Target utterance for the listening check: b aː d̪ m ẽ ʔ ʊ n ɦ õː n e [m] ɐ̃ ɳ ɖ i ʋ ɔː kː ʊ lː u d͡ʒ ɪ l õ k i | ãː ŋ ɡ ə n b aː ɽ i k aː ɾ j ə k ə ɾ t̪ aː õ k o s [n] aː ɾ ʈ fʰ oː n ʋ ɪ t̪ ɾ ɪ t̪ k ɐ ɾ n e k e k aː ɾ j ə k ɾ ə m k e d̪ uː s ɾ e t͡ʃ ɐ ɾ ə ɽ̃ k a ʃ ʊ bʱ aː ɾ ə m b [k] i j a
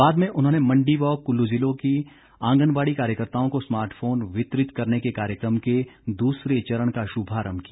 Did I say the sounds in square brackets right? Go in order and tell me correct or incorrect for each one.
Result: correct, incorrect: m, correct

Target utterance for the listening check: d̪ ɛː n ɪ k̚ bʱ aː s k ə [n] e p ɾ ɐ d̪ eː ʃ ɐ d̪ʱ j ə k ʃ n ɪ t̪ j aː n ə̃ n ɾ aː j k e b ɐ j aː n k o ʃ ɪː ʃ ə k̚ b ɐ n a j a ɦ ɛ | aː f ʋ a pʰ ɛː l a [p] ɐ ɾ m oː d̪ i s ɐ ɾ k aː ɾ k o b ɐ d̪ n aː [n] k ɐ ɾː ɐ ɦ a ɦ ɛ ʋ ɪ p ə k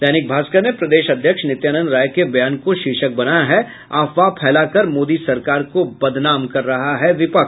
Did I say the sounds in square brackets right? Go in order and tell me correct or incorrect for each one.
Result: correct, incorrect: k, incorrect: m

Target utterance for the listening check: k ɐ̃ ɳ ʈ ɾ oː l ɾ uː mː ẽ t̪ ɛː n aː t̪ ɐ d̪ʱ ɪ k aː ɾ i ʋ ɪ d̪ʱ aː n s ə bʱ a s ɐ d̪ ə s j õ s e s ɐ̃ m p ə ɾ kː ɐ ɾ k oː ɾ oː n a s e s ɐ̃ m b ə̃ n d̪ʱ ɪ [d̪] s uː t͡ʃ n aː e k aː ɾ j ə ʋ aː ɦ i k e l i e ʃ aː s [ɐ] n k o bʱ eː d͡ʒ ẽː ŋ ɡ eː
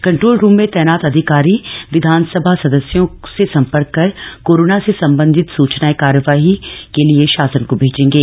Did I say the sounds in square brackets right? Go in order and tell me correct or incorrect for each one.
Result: incorrect: t̪, incorrect: ə

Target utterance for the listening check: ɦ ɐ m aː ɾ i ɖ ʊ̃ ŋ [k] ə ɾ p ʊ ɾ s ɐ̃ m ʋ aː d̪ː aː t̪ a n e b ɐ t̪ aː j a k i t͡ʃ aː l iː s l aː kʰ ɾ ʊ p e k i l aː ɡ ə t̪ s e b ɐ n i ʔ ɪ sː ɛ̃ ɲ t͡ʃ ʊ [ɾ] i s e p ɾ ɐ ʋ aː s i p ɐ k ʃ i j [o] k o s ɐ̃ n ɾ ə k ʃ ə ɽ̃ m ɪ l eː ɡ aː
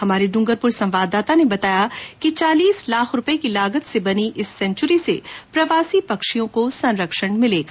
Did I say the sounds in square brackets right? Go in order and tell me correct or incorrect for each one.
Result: incorrect: ɡ, correct, incorrect: õ

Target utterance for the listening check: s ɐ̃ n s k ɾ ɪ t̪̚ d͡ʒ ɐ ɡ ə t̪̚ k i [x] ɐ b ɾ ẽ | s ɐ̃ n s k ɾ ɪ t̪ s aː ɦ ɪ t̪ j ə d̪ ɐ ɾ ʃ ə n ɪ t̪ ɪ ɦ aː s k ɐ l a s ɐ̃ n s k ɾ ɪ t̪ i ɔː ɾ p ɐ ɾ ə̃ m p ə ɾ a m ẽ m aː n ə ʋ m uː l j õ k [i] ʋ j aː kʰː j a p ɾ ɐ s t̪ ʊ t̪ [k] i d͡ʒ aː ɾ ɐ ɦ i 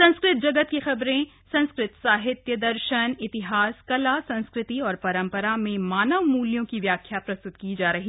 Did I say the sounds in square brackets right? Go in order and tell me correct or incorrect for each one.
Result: correct, correct, correct

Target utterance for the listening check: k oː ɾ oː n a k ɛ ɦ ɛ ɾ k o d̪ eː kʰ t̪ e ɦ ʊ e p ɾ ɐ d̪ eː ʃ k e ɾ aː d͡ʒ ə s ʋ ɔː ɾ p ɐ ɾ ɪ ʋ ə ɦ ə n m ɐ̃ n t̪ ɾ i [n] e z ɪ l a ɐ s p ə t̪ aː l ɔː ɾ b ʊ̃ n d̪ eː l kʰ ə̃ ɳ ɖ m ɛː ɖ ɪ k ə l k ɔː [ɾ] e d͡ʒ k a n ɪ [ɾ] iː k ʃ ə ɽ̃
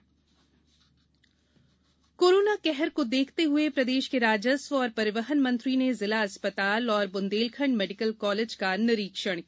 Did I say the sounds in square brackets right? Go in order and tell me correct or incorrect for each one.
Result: correct, incorrect: l, correct

